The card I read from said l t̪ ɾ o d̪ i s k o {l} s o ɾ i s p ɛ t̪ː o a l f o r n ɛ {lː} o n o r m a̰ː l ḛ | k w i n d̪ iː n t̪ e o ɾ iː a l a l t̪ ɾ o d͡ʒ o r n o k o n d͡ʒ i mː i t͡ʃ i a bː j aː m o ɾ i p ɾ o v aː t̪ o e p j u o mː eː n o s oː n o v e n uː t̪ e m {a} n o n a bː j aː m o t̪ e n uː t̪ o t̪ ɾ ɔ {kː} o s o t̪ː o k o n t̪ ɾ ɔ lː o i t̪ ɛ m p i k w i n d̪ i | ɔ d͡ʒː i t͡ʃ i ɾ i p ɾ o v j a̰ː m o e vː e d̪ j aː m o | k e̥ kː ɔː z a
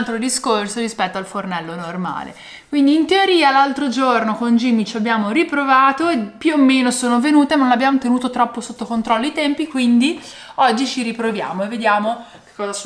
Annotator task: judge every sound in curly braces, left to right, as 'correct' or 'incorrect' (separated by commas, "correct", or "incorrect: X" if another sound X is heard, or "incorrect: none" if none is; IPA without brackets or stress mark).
incorrect: r, correct, correct, incorrect: pː